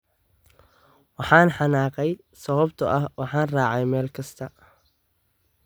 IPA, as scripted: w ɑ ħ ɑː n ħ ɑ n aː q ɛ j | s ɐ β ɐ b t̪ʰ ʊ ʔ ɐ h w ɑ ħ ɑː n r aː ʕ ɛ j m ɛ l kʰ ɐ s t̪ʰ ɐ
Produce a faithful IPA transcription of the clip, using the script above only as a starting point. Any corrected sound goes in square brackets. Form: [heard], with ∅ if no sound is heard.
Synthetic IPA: w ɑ ħ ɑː n ħ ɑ n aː q ɛ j | s ɐ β ɐ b t̪ʰ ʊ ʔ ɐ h w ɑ ħ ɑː n r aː ʕ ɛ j m [ɛː] l kʰ ɐ s t̪ʰ ɐ

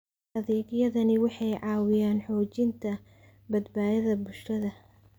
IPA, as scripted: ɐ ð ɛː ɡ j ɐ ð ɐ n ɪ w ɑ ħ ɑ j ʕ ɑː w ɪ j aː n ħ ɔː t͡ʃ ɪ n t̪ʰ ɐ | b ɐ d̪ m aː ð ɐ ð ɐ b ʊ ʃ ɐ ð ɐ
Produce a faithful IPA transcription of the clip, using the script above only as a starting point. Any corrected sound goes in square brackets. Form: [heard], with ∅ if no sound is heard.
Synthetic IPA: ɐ ð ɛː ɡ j ɐ ð ɐ n ɪ w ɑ ħ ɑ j ʕ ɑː w ɪ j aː n ħ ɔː t͡ʃ ɪ n t̪ʰ ɐ | b ɐ d̪ [b] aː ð ɐ ð ɐ b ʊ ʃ ɐ ð ɐ

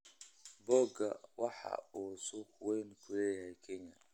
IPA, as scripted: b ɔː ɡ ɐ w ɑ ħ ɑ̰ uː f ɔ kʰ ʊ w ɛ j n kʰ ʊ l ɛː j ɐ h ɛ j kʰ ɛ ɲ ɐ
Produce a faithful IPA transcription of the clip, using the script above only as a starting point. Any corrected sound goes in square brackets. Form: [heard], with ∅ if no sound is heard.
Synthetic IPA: b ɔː ɡ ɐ w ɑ ħ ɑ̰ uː [s] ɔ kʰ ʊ w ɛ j n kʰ ʊ l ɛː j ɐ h ɛ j kʰ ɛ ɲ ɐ

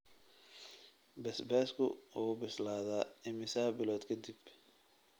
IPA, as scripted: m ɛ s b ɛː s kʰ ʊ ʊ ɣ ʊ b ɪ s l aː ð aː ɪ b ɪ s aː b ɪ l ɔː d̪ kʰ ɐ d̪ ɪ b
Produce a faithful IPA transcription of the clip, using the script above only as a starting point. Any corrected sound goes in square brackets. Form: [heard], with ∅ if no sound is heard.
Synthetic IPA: [b] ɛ s b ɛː s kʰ ʊ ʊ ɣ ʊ b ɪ s l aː ð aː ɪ [m] ɪ s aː b ɪ l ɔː d̪ kʰ ɐ d̪ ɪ b

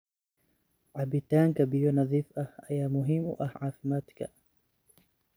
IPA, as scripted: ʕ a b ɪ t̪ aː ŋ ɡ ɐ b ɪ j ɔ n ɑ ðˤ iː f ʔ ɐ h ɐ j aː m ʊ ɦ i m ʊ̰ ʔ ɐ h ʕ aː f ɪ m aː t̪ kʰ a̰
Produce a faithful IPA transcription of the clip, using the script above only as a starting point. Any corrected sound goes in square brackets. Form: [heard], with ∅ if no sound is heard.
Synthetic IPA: ʕ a b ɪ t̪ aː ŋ [k] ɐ b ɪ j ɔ n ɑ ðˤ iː f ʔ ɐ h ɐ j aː m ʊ ɦ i m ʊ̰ ʔ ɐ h ʕ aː f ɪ m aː t̪ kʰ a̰

